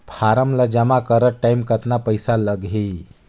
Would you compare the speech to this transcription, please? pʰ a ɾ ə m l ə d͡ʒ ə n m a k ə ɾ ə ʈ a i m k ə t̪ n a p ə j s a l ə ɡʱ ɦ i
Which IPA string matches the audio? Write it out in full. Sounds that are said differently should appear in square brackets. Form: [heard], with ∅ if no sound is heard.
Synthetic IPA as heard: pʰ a ɾ ə m l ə d͡ʒ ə [∅] m a k ə ɾ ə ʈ a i m k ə t̪ n a p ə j s a l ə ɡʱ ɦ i